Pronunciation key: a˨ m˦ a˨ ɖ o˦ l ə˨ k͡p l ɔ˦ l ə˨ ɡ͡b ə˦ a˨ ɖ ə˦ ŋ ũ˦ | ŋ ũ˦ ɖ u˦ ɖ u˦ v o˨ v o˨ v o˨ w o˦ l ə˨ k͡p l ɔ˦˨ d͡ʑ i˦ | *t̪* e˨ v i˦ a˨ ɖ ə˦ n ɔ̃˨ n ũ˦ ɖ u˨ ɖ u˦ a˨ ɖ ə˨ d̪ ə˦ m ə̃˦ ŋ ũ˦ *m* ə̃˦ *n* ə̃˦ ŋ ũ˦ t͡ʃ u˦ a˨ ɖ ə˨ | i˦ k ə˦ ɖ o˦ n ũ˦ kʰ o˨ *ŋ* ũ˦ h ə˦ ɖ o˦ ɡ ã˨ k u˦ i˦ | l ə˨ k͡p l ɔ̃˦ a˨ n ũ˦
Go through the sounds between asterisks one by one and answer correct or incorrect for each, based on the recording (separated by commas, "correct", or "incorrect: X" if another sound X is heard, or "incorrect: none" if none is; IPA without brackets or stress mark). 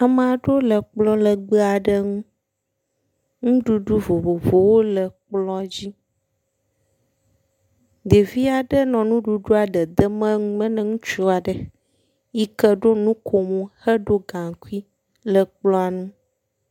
incorrect: d̪, correct, correct, incorrect: m